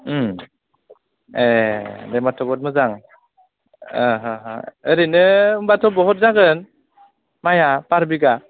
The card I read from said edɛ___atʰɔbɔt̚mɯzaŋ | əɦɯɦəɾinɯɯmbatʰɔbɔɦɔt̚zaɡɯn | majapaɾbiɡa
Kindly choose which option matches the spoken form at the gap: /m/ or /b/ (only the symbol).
m